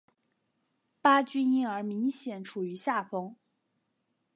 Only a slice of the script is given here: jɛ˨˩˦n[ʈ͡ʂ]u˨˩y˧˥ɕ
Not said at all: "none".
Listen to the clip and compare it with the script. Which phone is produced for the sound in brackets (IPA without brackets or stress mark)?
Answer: ʈ͡ʂʰ